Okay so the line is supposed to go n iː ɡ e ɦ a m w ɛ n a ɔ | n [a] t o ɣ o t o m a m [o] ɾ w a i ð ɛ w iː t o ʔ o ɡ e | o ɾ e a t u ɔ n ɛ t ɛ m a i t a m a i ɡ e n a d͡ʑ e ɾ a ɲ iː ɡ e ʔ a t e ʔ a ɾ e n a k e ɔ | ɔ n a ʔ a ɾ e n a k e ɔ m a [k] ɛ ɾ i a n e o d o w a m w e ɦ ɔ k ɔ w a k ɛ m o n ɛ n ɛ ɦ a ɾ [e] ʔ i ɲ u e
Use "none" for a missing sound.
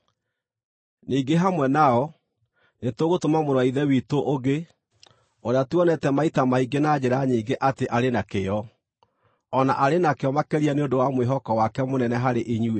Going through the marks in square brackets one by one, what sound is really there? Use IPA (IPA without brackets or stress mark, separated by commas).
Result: e, o, k, e